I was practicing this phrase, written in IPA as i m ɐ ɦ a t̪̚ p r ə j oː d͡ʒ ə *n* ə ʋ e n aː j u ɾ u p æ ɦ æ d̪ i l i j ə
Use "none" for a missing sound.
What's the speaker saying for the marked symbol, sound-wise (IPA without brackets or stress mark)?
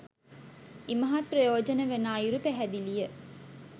n